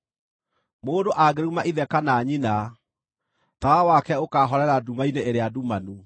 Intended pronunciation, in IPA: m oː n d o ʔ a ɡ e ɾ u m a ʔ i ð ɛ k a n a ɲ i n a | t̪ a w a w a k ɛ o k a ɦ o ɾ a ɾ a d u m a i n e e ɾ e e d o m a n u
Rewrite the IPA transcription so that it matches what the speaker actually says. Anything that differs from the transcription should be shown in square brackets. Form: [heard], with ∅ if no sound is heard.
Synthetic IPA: m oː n d o ʔ a ɡ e ɾ u m a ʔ i ð ɛ k a n a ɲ i n a | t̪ a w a w a k ɛ o k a ɦ [ɔ] ɾ [ɛ] ɾ a d u m a i n e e ɾ e [a] d [u] m a n u